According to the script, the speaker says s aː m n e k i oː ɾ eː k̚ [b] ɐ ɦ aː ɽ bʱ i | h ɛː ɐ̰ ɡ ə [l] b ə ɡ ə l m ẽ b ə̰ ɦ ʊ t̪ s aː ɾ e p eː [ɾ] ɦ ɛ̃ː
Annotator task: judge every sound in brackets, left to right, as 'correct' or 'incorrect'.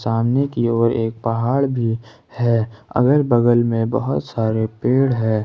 incorrect, incorrect, incorrect

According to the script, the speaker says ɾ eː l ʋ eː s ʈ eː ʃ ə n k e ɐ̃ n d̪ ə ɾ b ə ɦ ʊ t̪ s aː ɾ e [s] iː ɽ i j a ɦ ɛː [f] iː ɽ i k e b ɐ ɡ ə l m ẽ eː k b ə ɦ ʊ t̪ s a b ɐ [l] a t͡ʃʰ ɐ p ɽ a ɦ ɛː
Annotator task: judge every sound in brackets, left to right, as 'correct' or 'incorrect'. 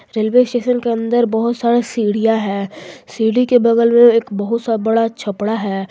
correct, incorrect, incorrect

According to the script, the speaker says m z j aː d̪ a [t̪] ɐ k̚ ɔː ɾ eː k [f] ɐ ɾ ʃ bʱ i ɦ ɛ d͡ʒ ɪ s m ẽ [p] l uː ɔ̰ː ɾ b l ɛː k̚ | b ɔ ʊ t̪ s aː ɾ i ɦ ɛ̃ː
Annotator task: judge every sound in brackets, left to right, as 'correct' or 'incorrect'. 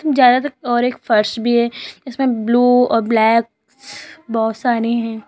correct, correct, incorrect

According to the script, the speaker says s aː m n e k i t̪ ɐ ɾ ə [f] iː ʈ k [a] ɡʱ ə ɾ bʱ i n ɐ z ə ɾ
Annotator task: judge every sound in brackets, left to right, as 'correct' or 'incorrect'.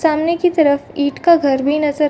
correct, correct

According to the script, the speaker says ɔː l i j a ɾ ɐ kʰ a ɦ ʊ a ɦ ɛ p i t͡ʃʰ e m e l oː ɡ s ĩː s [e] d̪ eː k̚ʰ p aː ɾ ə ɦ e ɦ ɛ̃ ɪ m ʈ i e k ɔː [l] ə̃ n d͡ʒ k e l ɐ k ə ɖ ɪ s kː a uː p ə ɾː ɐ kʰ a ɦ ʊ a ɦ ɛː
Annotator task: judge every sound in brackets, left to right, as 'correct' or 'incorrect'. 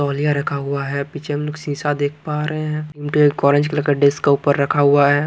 incorrect, incorrect

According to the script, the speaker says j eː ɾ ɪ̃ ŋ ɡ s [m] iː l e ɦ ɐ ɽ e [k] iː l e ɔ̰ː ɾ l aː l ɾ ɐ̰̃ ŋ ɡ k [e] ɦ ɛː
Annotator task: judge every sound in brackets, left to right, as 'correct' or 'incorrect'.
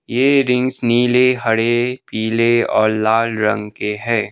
incorrect, incorrect, correct

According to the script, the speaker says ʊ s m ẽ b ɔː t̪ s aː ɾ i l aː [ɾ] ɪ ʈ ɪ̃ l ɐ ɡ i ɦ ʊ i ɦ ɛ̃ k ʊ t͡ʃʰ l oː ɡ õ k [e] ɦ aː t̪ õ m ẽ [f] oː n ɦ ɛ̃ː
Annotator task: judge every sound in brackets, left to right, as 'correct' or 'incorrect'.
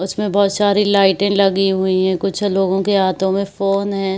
incorrect, correct, correct

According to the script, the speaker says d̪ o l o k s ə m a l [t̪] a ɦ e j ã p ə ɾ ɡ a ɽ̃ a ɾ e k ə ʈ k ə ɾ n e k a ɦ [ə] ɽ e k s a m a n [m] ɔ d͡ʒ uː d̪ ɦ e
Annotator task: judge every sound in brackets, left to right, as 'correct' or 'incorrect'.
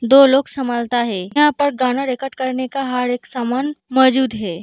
correct, incorrect, correct

